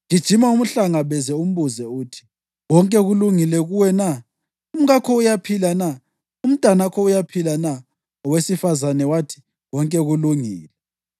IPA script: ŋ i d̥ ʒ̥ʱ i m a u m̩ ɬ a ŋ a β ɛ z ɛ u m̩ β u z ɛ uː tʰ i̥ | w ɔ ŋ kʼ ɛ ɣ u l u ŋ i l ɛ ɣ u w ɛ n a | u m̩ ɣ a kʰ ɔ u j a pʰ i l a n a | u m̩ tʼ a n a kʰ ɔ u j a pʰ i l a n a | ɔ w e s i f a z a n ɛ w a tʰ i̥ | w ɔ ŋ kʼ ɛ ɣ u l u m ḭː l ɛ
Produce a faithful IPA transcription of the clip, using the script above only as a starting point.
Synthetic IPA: ŋ i d̥ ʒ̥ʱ i m a u m̩ ɬ a ŋ a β ɛ z ɛ u m̩ β u z ɛ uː tʰ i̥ | w ɔ ŋ kʼ ɛ ɣ u l u ŋ i l ɛ ɣ u w ɛ n a | u m̩ ɣ a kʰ ɔ u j a pʰ i l a n a | u m̩ tʼ a n a kʰ ɔ u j a pʰ i l a n a | ɔ w e s i f a z a n ɛ w a tʰ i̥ | w ɔ ŋ kʼ ɛ ɣ u l u ŋ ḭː l ɛ